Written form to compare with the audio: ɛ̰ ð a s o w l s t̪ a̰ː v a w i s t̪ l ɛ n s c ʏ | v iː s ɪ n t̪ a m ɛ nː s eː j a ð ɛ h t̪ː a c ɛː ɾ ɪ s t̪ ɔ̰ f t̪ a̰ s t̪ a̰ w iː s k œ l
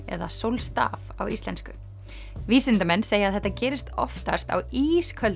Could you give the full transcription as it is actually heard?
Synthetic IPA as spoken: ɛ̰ ð a s o w l s t̪ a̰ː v a w i s t̪ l ɛ n s k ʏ | v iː s ɪ n t̪ a m ɛ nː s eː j a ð ɛ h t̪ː a c ɛː ɾ ɪ s t̪ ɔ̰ f t̪ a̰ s t̪ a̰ w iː s kʰ œ l